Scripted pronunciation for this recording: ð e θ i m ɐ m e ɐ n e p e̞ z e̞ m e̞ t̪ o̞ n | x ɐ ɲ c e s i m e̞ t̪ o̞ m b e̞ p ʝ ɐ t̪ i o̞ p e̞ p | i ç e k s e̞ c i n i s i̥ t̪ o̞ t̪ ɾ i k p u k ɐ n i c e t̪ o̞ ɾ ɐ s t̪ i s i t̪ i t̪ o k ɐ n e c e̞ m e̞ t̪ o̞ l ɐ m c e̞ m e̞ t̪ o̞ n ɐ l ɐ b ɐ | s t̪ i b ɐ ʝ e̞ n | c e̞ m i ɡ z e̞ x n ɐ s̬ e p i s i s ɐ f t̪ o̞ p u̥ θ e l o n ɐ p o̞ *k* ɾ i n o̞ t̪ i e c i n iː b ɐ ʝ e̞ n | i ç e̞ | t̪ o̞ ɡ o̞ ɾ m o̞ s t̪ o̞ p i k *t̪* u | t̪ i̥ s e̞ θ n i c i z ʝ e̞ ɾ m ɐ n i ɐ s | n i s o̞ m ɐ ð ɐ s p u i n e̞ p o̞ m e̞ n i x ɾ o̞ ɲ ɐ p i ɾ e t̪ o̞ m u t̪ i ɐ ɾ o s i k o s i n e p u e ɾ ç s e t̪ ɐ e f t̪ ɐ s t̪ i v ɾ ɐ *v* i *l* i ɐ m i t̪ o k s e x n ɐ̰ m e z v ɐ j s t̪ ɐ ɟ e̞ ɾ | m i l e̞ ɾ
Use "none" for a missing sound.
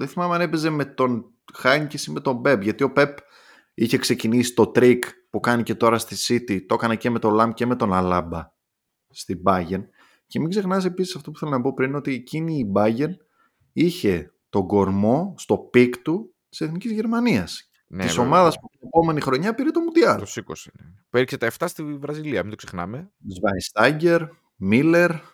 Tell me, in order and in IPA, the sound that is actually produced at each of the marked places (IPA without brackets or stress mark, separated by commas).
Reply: p, t̪, z, l